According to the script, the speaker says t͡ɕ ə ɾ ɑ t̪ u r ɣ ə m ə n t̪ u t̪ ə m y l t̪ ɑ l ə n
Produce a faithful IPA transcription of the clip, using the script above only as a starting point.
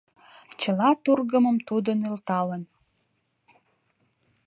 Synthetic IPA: t͡ɕ ə l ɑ t̪ u r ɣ ə m ə m t̪ u d̪ ə n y l t̪ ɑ l ə n